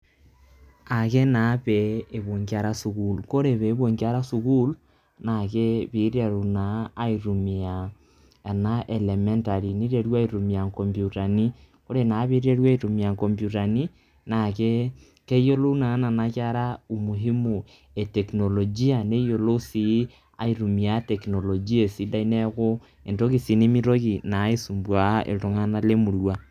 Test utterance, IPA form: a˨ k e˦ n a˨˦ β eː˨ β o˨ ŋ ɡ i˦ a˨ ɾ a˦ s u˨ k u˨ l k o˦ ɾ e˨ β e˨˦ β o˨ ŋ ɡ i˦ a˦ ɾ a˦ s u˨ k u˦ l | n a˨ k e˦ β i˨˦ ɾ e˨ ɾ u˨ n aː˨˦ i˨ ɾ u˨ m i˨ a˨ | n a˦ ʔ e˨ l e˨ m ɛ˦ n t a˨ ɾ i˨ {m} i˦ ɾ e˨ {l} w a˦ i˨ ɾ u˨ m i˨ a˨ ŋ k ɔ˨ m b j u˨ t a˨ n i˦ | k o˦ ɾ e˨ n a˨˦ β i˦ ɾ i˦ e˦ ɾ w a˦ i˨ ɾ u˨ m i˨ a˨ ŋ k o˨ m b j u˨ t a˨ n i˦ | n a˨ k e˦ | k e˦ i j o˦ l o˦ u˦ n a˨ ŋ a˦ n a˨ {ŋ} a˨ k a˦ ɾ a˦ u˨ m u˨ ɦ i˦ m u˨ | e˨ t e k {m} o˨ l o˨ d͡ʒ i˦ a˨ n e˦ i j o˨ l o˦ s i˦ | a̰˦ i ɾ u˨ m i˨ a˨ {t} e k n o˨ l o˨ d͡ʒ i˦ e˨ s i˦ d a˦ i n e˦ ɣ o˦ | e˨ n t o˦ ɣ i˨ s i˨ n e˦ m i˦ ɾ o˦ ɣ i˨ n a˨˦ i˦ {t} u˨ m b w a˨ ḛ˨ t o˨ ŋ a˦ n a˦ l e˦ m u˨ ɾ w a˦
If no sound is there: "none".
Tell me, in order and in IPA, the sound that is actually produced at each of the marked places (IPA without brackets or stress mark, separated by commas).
n, ɾ, n, n, t, s